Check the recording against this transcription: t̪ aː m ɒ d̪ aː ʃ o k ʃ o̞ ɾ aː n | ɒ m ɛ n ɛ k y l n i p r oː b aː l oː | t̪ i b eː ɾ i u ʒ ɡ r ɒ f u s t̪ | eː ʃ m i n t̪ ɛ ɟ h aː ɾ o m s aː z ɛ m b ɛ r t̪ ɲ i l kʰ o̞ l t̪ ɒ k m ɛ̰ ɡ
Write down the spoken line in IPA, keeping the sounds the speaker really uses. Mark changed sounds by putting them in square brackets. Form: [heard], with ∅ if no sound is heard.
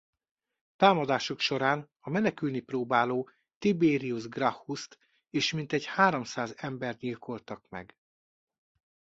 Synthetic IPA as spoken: t̪ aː m ɒ d̪ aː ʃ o k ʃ o̞ ɾ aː n | ɒ m ɛ n ɛ k y l n i p r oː b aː l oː | t̪ i b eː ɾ i u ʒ ɡ r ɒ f u s t̪ | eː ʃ m i n t̪ ɛ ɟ h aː ɾ o m s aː z ɛ m b ɛ r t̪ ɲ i l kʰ o̞ l t̪ ɒ k m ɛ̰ ɡ